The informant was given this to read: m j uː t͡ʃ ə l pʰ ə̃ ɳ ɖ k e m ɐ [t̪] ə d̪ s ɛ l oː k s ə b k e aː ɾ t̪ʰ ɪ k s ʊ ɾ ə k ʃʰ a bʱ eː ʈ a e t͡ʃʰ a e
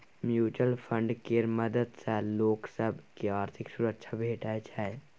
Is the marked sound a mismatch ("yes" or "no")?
yes